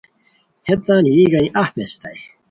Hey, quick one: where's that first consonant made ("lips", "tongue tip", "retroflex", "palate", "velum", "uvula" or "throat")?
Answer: throat